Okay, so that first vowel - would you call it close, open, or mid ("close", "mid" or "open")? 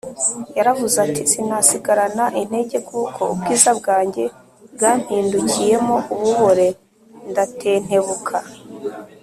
open